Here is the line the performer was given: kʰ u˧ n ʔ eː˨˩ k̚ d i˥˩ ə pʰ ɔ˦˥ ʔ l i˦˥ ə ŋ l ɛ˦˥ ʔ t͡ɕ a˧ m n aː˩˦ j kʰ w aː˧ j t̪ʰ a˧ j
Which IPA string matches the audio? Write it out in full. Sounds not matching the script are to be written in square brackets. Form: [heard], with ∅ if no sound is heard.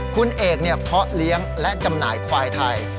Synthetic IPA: kʰ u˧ n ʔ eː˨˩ k̚ [n] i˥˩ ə pʰ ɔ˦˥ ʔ l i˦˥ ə ŋ l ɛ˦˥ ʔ t͡ɕ a˧ m n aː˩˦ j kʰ w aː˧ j t̪ʰ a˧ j